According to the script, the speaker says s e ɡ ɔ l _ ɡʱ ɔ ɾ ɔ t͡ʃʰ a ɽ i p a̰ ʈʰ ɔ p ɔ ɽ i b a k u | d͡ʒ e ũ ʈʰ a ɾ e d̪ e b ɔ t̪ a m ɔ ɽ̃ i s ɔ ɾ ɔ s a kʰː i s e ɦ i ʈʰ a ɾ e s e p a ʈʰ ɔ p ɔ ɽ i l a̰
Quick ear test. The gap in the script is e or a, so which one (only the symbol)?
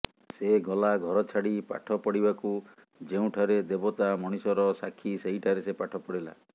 a